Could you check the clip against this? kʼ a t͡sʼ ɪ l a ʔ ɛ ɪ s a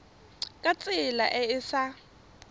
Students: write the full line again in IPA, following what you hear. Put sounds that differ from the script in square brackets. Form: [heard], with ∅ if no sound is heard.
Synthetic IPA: kʼ a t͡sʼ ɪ l a ʔ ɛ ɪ s a